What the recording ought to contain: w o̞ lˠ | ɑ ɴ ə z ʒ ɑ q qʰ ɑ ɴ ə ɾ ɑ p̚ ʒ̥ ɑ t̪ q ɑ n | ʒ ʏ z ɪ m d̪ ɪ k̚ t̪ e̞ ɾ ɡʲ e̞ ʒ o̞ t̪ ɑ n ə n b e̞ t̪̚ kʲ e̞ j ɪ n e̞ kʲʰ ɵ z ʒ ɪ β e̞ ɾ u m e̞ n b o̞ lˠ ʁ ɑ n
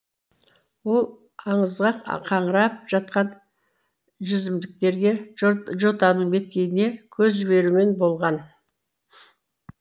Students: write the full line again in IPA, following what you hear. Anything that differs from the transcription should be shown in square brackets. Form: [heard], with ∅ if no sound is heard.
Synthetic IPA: w o̞ lˠ | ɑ ɴ ə z [ʁ] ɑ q qʰ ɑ ɴ ə ɾ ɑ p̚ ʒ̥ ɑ t̪ q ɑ n | ʒ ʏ z ɪ m d̪ ɪ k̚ t̪ e̞ ɾ ɡʲ e̞ ʒ o̞ t̪ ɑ n ə [ɴ] b e̞ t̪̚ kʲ e̞ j ɪ n e̞ kʲʰ ɵ z ʒ ɪ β e̞ ɾ u m e̞ n b o̞ lˠ ʁ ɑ n